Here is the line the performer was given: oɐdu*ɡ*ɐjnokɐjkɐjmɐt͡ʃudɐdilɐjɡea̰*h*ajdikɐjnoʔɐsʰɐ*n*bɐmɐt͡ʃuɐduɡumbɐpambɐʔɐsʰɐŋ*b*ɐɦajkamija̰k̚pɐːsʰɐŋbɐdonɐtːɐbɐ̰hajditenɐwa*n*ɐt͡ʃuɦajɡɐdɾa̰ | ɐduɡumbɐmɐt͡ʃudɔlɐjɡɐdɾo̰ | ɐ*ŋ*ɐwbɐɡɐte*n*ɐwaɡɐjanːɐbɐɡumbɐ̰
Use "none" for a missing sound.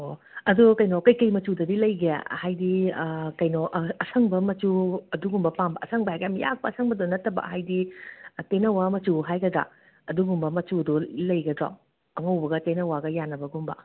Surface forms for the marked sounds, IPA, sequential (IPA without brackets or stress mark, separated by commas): k, h, ŋ, b, m, ŋ, n